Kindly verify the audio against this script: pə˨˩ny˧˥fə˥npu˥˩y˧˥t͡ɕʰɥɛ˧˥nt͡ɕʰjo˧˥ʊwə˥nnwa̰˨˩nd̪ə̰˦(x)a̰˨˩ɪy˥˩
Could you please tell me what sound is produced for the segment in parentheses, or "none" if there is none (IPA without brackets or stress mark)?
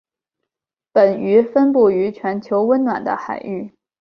x